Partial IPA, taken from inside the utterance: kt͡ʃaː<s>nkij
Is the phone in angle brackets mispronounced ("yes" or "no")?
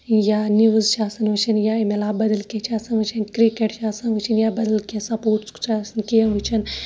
no